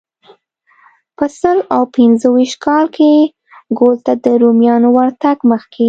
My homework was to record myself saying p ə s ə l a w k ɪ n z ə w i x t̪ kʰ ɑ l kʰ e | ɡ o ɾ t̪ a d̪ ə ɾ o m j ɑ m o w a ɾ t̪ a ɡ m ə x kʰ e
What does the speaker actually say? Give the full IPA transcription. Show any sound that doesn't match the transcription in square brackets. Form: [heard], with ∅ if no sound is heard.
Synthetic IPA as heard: p ə s ə l a w [p] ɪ n z ə w i [ʃ] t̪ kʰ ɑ l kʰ e | ɡ o [l] t̪ a d̪ ə ɾ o m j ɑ [n] o w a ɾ t̪ a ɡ m ə x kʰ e